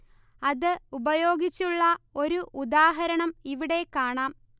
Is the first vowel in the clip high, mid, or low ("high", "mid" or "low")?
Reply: low